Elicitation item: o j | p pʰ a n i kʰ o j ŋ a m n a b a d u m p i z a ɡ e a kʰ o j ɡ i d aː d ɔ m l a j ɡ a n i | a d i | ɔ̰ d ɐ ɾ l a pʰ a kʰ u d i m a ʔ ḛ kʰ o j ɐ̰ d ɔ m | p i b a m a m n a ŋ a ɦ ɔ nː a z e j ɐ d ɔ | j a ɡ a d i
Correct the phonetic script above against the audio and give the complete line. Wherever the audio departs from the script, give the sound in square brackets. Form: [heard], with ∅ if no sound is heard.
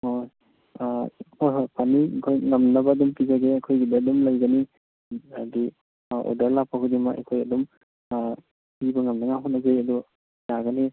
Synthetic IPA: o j | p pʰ a n i kʰ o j ŋ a m n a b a d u m p i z a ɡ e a kʰ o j ɡ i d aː d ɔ m l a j ɡ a n i | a d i | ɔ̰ d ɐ ɾ l a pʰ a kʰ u d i m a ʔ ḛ kʰ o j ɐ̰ d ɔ m | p i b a [ŋ] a m n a ŋ a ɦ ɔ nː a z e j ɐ d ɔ | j a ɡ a [n] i